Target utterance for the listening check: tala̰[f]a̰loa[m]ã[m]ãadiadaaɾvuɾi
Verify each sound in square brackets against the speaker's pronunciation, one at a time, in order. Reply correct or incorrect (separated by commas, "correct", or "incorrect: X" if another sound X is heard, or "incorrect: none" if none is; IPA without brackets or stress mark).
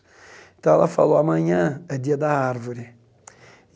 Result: correct, correct, incorrect: ɲ